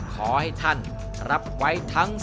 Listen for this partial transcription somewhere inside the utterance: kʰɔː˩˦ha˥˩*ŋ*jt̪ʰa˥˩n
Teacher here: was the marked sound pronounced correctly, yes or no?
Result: no